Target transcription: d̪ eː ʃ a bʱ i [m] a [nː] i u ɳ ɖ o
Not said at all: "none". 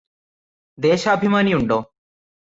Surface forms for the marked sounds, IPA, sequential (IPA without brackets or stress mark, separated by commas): m, n